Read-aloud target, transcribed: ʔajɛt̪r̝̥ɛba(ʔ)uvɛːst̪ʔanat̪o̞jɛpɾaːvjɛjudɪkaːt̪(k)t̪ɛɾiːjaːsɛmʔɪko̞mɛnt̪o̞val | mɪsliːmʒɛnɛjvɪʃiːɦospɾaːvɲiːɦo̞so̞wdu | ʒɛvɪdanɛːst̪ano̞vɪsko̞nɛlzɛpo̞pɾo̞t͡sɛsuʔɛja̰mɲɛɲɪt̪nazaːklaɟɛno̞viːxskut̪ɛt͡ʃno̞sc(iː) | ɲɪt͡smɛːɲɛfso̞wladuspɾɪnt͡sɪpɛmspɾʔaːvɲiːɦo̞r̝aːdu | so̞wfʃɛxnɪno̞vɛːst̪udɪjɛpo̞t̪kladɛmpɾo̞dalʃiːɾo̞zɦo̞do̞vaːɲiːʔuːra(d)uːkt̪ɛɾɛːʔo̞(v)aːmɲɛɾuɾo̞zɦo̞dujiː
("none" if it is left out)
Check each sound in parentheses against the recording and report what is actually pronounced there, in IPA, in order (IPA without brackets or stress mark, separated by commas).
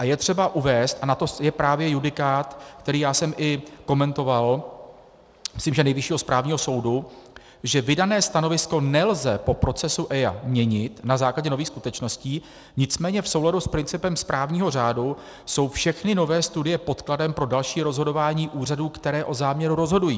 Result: ʔ, k, iː, d, z